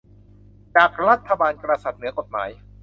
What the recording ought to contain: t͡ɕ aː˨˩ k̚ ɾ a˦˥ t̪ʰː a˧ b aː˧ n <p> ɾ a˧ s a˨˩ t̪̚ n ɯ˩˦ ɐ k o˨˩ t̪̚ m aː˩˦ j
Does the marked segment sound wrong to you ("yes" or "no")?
yes